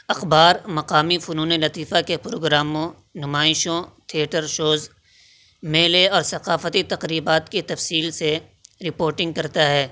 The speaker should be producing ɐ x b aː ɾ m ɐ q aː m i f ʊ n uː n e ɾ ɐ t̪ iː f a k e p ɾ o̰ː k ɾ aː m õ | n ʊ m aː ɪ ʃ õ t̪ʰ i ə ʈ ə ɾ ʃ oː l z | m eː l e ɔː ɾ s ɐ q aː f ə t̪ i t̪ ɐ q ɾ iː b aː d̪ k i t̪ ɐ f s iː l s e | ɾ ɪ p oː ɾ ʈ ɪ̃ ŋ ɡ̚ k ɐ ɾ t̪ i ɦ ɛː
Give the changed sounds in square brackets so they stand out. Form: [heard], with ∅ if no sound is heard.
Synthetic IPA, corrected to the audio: ɐ x b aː ɾ m ɐ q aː m i f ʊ n uː n e [l] ɐ t̪ iː f a k e p ɾ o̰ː [ɡ] ɾ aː m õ | n ʊ m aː ɪ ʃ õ t̪ʰ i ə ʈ ə ɾ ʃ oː [∅] z | m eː l e ɔː ɾ s ɐ q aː f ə t̪ i t̪ ɐ q ɾ iː b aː [t̪] k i t̪ ɐ f s iː l s e | ɾ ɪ p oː ɾ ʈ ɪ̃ ŋ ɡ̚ k ɐ ɾ t̪ [a] ɦ ɛː